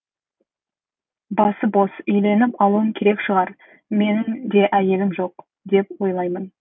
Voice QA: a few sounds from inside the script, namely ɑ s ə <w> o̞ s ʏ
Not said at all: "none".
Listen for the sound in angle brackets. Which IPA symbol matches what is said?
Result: b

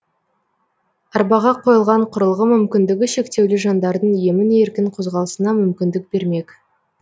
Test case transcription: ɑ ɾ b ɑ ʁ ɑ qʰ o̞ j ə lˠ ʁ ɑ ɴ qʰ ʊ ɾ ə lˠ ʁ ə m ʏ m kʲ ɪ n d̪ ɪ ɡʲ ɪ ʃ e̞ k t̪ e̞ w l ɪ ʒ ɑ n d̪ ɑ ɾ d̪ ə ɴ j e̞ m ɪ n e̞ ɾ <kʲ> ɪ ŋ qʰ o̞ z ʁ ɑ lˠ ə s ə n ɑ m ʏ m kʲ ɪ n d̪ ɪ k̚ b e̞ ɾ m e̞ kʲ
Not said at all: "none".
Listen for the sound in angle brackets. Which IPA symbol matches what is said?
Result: kʲ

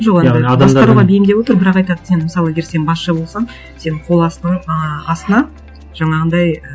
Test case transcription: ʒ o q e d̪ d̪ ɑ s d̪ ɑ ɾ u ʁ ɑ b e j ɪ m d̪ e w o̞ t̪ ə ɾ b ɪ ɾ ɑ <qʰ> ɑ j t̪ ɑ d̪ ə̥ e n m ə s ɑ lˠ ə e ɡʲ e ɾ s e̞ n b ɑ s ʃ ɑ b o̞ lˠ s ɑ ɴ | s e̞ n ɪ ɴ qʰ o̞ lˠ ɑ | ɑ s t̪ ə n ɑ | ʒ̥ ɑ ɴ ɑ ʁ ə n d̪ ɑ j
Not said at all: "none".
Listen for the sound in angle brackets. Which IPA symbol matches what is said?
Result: q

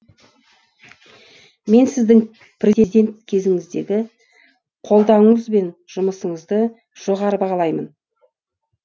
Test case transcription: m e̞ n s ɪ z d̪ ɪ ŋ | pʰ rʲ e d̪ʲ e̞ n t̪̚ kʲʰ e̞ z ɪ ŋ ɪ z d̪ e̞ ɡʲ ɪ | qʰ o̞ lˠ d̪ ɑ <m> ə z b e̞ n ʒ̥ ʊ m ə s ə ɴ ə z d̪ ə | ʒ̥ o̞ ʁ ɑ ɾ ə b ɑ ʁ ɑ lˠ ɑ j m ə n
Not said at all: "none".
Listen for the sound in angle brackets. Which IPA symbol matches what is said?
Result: ɴ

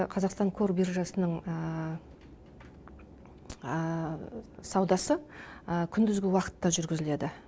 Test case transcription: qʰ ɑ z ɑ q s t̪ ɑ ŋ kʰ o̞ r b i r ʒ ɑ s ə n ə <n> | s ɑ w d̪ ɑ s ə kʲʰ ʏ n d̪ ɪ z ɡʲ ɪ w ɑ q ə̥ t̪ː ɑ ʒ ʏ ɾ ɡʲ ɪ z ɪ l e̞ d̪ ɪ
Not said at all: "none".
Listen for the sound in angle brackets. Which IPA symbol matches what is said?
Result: ɴ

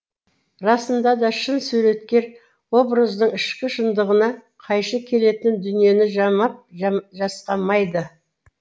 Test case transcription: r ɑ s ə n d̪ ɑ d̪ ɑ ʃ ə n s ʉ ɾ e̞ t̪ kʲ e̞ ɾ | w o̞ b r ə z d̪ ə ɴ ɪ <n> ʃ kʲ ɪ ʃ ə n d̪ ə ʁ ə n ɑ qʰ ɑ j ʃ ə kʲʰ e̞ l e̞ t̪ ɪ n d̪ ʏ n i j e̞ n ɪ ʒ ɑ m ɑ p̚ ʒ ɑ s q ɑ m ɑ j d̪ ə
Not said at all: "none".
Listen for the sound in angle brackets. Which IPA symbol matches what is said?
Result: none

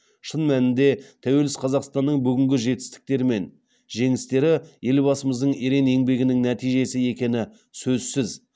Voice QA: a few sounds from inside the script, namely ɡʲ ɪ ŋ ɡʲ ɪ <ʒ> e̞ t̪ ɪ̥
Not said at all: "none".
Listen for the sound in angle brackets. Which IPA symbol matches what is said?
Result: ʒ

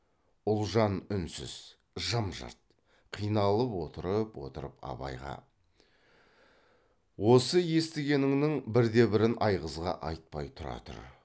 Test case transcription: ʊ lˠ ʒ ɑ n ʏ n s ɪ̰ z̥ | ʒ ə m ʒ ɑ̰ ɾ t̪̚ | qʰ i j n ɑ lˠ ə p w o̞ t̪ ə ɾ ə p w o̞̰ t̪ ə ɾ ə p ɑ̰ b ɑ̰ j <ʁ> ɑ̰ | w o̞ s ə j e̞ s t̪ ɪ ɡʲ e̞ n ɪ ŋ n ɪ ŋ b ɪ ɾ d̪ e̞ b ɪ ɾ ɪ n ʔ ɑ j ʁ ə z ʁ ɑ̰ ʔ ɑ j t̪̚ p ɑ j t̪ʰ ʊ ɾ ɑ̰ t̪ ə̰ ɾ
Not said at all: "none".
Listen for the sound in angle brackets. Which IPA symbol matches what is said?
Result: ʁ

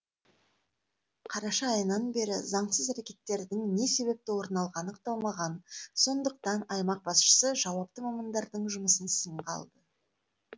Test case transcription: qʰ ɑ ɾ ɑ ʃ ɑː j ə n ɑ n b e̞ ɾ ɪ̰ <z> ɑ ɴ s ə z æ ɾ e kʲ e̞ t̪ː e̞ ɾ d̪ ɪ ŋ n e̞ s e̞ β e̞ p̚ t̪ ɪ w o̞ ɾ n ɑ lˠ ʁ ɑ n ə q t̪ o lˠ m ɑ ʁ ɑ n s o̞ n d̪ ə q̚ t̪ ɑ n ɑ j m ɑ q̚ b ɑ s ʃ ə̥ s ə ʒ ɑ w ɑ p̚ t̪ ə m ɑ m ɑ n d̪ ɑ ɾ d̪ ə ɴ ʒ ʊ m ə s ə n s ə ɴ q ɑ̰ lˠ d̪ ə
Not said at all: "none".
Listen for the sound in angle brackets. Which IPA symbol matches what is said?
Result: z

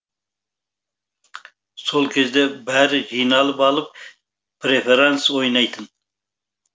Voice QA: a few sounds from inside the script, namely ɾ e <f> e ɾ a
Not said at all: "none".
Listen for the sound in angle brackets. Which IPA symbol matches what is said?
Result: f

